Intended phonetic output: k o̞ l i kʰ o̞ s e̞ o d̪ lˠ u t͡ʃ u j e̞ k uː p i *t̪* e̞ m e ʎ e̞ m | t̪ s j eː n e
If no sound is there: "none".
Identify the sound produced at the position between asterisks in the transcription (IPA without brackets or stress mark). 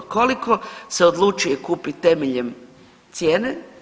t̪